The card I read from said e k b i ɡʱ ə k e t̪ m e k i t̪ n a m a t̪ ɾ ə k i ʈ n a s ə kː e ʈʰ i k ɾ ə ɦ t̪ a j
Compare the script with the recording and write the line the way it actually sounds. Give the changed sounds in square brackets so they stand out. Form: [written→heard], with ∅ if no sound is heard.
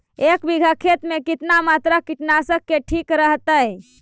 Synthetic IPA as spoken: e k b i ɡʱ ə [k→kʰ] e t̪ m e k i t̪ n a m a t̪ ɾ [ə→a] k i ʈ n a s ə kː e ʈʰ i k ɾ ə ɦ t̪ [a→ə] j